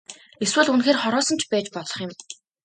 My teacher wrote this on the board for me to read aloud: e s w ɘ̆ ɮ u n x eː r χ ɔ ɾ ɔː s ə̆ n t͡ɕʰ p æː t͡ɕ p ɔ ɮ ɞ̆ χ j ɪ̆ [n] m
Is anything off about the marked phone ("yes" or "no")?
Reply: yes